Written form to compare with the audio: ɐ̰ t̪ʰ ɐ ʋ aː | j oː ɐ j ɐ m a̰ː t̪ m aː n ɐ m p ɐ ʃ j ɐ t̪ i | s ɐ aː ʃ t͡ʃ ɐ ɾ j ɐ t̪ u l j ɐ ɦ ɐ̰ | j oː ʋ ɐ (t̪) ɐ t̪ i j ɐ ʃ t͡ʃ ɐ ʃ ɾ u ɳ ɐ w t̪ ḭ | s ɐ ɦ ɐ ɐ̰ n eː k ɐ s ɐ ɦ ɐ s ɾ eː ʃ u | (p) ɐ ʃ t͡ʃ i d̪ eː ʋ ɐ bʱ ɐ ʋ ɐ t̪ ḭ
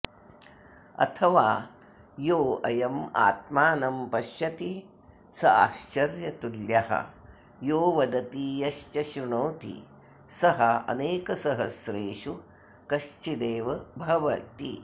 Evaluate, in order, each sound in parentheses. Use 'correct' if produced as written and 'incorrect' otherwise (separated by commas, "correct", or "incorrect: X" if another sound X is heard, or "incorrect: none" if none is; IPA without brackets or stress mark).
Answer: incorrect: d̪, incorrect: k